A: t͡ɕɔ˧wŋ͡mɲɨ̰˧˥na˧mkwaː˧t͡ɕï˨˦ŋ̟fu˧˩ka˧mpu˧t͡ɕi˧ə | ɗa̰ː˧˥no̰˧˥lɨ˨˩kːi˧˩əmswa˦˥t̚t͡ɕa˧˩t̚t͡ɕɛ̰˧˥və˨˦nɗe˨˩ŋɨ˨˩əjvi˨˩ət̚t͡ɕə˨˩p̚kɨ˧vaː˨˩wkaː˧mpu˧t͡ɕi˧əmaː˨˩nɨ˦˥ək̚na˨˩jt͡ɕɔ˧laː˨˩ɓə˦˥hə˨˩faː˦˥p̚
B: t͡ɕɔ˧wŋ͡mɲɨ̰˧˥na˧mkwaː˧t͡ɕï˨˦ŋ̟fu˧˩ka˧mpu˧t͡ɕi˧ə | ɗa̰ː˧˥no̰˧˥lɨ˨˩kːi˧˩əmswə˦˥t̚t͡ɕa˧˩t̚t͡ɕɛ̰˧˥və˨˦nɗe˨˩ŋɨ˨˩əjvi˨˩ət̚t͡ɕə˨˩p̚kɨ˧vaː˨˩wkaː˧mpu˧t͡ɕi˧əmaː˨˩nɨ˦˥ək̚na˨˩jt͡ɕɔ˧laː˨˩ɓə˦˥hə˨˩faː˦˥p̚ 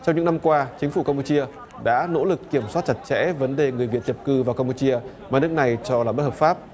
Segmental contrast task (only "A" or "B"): A